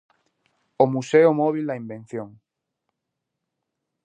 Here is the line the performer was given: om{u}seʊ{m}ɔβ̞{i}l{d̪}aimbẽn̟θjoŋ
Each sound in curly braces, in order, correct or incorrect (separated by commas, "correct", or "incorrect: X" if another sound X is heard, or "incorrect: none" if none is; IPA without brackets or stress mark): correct, correct, correct, correct